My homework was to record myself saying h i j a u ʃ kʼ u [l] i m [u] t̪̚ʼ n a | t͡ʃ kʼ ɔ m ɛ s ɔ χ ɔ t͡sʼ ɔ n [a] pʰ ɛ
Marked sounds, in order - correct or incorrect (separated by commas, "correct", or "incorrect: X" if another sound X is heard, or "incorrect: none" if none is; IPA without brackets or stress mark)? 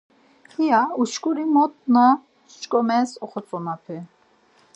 incorrect: ɾ, incorrect: ɔ, correct